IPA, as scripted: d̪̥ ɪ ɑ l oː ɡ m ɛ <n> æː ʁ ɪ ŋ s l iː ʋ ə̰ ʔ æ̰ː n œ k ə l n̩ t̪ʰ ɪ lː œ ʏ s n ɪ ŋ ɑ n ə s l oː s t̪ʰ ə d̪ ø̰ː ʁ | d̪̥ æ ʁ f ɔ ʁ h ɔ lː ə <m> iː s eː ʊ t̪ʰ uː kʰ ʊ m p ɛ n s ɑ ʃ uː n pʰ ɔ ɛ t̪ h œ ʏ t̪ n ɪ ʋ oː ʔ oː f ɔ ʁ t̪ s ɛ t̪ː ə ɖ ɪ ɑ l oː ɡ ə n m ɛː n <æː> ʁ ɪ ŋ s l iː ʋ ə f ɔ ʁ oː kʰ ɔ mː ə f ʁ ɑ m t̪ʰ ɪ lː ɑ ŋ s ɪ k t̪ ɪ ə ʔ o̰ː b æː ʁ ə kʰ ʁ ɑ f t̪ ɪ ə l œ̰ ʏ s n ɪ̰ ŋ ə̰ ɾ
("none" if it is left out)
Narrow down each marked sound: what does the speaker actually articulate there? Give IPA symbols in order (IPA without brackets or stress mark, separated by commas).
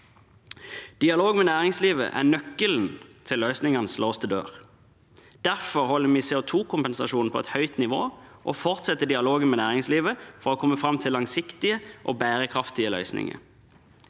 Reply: n, m, æː